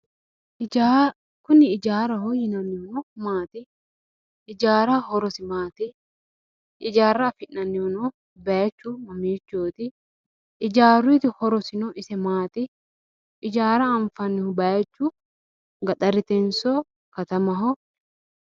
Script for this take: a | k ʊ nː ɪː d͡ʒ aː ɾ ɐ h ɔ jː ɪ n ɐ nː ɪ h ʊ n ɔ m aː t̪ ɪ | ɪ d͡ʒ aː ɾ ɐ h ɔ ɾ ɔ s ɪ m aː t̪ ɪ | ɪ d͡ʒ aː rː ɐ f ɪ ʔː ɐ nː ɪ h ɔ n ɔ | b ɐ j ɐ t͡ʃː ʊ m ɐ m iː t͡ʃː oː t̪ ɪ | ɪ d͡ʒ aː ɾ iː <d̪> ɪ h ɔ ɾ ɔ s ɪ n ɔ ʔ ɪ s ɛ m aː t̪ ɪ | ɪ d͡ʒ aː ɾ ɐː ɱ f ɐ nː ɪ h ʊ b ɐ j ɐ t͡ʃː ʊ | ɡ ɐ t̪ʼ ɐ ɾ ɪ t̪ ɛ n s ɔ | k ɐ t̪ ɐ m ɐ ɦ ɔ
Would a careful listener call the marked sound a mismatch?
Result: yes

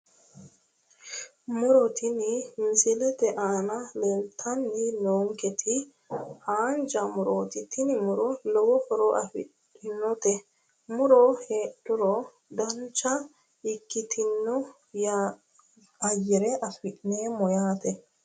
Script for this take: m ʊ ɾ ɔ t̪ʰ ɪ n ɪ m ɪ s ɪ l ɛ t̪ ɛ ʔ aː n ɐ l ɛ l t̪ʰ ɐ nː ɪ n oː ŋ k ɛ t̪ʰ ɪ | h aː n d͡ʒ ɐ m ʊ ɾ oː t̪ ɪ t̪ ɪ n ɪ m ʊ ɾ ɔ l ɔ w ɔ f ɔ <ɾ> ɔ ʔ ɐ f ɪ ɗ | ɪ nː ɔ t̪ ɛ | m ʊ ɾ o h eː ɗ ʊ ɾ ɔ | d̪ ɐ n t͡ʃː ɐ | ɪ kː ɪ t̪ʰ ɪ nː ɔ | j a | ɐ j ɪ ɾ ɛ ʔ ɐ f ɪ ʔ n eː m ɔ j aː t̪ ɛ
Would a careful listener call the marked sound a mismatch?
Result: no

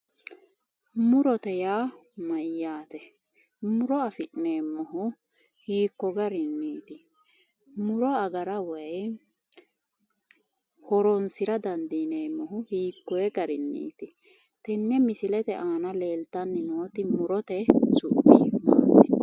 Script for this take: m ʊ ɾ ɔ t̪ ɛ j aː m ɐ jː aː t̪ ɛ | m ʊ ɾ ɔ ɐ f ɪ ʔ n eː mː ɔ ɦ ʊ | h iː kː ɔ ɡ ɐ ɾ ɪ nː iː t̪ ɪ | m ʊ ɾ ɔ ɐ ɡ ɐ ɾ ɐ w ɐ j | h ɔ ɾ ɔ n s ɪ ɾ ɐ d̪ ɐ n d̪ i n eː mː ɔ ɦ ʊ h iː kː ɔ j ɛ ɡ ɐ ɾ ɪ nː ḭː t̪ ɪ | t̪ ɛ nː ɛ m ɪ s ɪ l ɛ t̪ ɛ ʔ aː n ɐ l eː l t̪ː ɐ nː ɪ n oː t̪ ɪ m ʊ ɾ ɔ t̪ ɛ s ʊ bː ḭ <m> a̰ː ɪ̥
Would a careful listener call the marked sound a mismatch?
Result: no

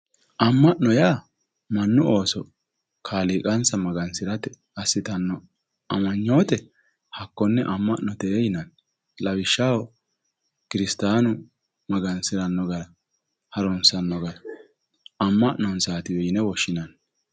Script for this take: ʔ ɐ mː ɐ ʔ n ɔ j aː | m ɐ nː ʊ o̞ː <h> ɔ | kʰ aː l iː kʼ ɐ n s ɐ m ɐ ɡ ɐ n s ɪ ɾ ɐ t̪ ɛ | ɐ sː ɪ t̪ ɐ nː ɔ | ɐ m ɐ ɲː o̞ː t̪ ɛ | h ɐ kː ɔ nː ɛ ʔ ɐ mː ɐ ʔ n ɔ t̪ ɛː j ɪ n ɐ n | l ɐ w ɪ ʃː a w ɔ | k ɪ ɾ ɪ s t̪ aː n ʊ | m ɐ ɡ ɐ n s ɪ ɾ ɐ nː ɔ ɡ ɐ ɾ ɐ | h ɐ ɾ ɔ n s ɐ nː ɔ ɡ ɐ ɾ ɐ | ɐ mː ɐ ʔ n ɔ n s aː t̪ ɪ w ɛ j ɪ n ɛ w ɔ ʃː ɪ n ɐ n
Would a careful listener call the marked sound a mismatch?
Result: yes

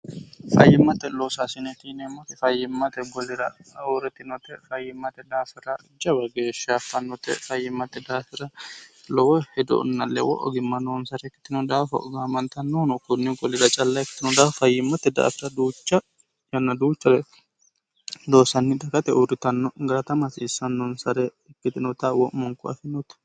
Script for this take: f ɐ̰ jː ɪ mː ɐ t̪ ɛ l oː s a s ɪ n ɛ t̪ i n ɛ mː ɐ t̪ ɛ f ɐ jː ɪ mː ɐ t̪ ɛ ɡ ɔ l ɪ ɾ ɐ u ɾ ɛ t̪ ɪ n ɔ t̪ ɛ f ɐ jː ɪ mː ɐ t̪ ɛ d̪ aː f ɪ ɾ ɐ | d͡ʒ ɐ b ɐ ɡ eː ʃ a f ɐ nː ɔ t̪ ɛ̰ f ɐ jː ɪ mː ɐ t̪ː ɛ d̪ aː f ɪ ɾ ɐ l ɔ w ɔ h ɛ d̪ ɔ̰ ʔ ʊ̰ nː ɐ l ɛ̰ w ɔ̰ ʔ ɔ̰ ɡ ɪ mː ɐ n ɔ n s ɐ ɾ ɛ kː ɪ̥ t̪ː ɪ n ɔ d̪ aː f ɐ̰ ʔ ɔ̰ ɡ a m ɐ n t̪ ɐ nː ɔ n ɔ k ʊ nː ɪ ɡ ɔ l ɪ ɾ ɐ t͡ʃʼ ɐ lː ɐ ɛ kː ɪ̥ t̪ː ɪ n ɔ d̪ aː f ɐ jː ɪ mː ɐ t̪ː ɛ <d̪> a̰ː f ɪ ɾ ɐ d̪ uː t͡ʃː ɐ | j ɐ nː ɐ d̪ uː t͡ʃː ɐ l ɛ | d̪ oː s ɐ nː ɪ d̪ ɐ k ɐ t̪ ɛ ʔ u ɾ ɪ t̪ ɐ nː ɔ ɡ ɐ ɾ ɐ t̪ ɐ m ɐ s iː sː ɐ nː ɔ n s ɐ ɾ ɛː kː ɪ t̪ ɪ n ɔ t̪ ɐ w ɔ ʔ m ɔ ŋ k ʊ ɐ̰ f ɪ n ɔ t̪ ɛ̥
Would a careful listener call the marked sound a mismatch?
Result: no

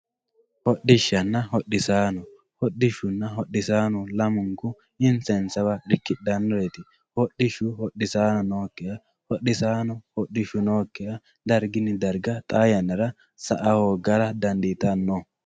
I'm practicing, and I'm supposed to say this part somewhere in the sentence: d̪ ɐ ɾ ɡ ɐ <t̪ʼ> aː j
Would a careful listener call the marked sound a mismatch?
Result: no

